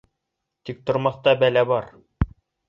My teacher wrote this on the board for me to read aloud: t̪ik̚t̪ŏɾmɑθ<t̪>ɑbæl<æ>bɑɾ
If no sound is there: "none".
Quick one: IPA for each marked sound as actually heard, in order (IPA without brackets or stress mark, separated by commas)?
t̪, æ